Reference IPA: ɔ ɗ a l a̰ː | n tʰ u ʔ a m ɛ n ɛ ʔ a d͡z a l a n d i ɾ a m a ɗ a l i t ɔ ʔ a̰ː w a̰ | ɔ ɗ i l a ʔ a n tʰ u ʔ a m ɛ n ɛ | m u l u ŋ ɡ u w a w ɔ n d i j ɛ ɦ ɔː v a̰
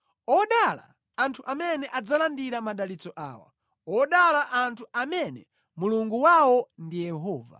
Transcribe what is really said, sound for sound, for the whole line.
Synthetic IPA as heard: ɔ ɗ a l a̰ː | n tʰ u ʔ a m ɛ n ɛ ʔ a d͡z a l a n d i ɾ a m a ɗ a l i t͡s ɔ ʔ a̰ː w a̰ | ɔ ɗ a l a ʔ a n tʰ u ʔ a m ɛ n ɛ | m u l u ŋ ɡ u w a w ɔ n d i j ɛ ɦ ɔː v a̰